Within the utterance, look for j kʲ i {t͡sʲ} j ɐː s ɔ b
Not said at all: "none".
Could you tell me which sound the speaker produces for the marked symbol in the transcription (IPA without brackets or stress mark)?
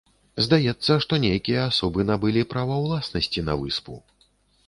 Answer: none